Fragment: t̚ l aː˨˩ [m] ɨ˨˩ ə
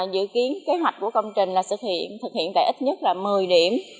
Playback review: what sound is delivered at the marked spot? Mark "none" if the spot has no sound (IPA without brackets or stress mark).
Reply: m